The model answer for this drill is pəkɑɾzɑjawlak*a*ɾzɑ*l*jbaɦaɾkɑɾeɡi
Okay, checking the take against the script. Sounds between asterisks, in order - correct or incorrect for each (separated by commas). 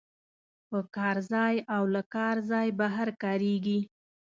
incorrect, incorrect